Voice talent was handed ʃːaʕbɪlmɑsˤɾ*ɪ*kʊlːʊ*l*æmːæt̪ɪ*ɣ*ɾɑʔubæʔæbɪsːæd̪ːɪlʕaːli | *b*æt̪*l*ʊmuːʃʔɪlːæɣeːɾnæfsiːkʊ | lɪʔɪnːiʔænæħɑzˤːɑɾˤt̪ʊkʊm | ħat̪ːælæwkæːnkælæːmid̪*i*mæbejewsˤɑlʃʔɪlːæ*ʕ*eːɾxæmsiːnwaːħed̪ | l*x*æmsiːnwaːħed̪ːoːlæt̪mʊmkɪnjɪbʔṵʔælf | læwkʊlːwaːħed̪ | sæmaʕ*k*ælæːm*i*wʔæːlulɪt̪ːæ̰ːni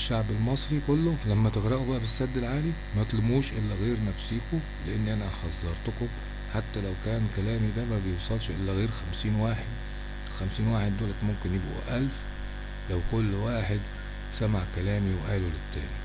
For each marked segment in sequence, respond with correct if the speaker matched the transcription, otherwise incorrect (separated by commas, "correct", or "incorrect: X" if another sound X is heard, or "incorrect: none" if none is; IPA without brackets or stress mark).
incorrect: i, correct, correct, incorrect: m, correct, incorrect: æ, incorrect: ɣ, correct, correct, correct